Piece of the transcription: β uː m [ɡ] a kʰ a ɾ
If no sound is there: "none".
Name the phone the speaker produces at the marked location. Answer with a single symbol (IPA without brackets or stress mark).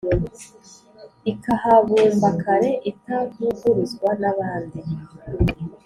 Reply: b